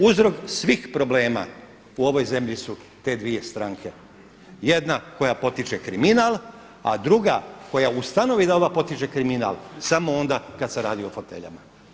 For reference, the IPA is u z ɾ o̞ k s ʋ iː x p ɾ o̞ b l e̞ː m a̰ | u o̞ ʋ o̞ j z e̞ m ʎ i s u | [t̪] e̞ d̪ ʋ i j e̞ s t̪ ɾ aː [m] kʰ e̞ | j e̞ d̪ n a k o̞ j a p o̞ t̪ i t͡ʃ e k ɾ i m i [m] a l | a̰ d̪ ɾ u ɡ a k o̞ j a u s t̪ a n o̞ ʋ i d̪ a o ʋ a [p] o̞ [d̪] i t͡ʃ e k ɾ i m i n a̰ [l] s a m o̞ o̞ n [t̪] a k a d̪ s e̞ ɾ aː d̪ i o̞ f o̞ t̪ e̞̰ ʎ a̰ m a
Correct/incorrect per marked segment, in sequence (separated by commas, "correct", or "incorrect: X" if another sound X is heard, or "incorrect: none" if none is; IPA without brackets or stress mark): correct, incorrect: ŋ, incorrect: n, correct, incorrect: t̪, correct, incorrect: d̪